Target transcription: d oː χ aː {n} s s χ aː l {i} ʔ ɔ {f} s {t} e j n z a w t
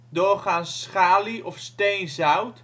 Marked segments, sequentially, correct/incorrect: correct, correct, correct, correct

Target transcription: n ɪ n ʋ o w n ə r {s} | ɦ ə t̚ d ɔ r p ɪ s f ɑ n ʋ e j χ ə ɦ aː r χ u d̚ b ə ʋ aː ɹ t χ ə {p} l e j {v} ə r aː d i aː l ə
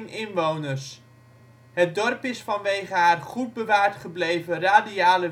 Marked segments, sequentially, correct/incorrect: correct, incorrect, correct

